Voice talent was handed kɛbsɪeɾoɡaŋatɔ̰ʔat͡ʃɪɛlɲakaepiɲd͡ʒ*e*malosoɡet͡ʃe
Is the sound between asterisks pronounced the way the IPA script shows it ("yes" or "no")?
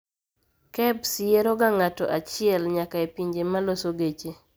yes